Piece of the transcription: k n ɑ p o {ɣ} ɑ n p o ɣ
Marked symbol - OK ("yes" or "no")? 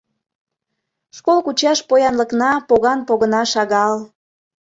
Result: yes